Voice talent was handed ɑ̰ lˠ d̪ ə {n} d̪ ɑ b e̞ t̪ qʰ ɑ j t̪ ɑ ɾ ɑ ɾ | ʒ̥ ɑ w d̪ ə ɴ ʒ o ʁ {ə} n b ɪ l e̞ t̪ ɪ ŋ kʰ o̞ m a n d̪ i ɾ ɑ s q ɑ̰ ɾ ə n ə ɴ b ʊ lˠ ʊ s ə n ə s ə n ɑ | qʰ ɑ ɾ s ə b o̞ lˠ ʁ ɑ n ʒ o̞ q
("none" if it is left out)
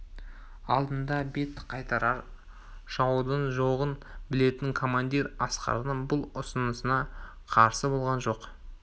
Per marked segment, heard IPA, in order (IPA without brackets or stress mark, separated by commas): n, ə